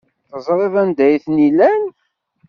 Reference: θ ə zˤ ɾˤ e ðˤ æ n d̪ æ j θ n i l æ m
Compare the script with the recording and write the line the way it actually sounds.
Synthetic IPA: θ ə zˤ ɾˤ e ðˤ æ n d̪ æ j θ n i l æ n